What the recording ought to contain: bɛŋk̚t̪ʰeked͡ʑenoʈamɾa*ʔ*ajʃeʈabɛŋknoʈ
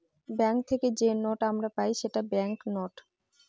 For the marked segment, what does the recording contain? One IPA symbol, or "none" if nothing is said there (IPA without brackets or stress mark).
p